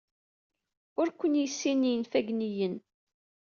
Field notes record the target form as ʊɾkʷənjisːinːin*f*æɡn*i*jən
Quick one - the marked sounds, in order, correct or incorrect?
correct, correct

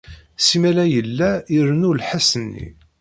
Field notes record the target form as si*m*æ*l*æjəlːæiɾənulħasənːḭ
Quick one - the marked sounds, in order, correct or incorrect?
correct, correct

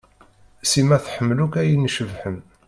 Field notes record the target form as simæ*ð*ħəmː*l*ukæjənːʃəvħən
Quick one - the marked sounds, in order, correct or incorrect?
incorrect, correct

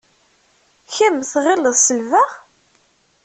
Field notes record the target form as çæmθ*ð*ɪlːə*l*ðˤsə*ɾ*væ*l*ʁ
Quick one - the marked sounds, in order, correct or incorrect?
incorrect, incorrect, incorrect, incorrect

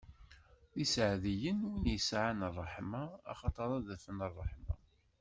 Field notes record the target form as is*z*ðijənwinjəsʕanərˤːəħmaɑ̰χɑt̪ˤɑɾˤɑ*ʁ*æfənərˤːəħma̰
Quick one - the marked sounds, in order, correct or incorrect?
incorrect, incorrect

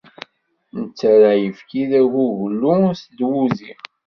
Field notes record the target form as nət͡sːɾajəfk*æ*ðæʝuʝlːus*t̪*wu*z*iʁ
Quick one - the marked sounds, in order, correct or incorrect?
incorrect, incorrect, correct

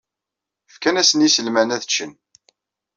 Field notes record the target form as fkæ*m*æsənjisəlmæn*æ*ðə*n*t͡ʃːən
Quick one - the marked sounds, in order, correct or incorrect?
incorrect, correct, incorrect

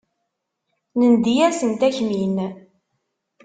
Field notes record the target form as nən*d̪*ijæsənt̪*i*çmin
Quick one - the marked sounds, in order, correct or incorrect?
correct, incorrect

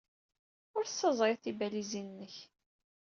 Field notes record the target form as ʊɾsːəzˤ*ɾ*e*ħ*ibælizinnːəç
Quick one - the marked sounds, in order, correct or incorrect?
correct, incorrect

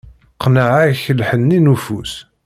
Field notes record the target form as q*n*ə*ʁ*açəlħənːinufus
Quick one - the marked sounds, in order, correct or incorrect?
correct, incorrect

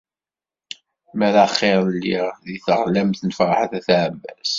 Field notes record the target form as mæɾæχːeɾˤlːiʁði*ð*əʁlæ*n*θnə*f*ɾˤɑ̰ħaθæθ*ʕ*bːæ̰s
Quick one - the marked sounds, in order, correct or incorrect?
incorrect, incorrect, correct, correct

